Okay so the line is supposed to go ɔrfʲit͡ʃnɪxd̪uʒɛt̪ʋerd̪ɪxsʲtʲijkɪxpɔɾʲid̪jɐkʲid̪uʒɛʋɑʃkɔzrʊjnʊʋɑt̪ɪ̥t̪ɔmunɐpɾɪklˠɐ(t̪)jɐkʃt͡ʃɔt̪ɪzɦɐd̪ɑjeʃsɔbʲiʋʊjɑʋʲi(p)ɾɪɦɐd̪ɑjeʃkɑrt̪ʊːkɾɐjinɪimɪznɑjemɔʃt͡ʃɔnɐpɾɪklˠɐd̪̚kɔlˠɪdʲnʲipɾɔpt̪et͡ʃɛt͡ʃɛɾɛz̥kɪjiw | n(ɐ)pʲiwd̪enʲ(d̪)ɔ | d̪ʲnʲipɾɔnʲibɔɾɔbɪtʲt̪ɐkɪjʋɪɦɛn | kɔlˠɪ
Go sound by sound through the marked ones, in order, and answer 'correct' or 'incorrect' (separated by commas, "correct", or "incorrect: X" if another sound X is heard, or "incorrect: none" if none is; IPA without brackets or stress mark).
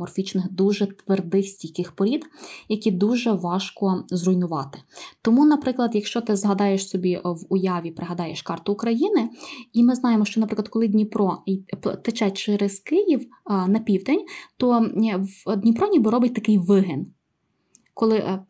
incorrect: d̪, correct, correct, incorrect: t̪